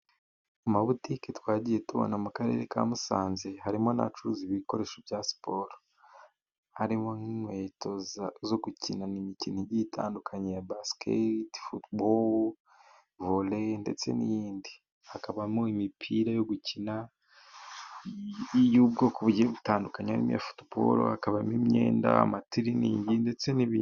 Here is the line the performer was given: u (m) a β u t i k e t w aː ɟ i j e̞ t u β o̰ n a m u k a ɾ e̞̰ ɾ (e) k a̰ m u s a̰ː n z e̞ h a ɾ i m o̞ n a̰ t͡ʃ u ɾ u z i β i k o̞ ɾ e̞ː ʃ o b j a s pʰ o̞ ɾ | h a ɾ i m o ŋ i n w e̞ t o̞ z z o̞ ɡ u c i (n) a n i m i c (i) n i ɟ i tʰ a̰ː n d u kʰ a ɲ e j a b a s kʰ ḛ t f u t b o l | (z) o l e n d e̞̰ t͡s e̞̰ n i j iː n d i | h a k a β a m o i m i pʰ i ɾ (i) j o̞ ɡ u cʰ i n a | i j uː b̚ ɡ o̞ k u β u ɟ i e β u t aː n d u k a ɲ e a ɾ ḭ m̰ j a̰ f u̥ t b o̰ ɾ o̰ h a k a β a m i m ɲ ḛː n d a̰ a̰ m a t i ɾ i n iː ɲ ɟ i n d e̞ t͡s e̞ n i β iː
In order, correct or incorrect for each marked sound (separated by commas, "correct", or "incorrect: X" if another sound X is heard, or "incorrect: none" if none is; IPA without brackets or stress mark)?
correct, correct, correct, correct, incorrect: v, incorrect: a